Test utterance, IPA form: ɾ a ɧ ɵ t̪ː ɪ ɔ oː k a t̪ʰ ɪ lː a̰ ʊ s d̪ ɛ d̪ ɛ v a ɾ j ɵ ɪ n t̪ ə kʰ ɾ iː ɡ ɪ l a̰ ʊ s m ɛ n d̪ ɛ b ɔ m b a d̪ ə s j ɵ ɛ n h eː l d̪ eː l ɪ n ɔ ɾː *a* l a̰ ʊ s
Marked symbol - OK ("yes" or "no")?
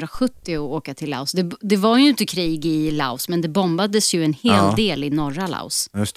yes